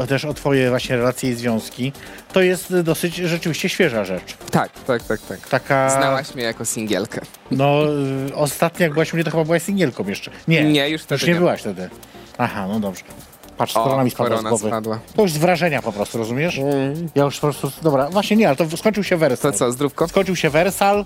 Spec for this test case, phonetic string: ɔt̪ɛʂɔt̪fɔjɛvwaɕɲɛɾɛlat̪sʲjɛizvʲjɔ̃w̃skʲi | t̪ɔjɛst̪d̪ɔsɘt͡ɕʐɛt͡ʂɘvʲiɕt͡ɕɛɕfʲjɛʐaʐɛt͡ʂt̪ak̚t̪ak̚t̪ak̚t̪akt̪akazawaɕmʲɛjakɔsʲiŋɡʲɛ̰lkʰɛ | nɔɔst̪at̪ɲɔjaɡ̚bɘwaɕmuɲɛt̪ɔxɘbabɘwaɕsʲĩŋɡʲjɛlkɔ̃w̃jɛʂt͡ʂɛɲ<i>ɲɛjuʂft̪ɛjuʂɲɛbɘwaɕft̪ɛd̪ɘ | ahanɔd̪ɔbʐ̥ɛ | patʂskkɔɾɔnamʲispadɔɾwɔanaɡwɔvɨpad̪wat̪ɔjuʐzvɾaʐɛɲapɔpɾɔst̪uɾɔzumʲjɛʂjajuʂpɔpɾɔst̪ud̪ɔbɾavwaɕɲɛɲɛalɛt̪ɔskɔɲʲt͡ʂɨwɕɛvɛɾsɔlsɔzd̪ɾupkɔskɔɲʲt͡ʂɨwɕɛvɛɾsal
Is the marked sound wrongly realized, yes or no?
yes